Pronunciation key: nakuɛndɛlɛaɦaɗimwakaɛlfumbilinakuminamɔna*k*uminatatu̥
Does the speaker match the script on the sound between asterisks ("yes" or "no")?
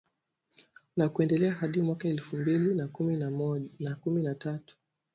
yes